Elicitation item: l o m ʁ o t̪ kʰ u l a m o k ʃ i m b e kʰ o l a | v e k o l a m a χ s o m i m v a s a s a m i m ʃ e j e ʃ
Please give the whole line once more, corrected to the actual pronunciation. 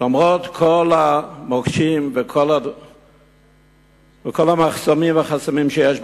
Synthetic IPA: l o m ʁ o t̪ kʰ o l a m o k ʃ i m v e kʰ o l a | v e k o l a m a χ s o m i m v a χ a s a m i m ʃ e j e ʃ